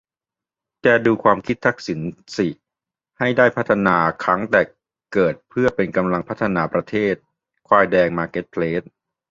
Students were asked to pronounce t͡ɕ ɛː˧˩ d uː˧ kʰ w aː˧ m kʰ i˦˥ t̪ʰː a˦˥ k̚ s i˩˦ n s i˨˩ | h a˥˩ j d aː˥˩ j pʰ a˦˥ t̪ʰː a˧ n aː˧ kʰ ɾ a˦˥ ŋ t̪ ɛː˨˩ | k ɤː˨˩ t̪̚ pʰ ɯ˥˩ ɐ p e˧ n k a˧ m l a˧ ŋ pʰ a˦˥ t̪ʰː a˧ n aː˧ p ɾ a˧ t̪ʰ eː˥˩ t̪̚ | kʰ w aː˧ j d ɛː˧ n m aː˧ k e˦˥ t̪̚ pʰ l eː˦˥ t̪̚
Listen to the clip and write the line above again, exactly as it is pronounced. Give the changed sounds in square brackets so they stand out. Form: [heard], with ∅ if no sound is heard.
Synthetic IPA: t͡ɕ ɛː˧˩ d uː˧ kʰ w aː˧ m kʰ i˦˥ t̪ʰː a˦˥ k̚ s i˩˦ n s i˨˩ | h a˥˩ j d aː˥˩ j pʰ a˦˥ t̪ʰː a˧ n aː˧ kʰ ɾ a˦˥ ŋ t̪ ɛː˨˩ | k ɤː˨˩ t̪̚ pʰ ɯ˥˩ ɐ p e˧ n k a˧ m l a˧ ŋ pʰ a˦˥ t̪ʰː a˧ n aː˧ p ɾ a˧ t̪ʰ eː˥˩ t̪̚ | kʰ w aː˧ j d ɛː˧ [ŋ] m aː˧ k e˦˥ t̪̚ pʰ l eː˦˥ t̪̚